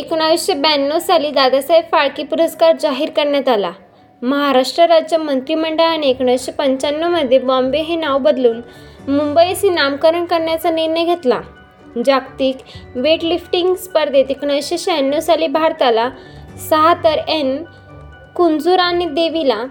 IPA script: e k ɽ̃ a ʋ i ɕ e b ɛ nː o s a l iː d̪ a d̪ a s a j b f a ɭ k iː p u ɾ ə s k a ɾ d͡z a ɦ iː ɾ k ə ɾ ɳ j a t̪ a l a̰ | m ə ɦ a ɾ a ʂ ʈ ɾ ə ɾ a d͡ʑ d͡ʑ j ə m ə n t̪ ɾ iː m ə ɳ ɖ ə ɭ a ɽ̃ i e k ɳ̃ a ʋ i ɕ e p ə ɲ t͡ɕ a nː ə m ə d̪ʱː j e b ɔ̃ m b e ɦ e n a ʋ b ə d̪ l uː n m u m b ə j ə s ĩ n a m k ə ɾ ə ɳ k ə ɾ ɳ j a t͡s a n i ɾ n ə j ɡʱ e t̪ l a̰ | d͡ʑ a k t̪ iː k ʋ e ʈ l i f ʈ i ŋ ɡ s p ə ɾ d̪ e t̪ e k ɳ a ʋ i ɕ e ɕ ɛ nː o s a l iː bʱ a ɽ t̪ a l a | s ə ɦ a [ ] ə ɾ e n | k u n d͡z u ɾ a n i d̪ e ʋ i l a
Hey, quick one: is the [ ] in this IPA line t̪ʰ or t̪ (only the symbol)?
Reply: t̪